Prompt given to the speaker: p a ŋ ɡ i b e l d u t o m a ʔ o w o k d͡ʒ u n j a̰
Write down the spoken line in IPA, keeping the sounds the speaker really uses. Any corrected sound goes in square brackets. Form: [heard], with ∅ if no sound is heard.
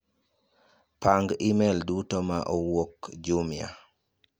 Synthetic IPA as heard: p a ŋ ɡ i [m] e l d u t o m a ʔ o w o k d͡ʒ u [m] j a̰